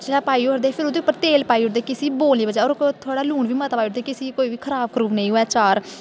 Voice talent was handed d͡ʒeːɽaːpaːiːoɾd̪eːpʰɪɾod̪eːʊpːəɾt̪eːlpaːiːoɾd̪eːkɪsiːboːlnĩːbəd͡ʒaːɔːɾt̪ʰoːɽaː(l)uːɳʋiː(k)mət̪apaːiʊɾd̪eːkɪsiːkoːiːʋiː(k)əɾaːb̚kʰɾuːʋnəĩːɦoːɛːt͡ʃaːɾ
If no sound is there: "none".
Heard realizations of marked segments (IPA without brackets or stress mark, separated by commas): l, none, kʰ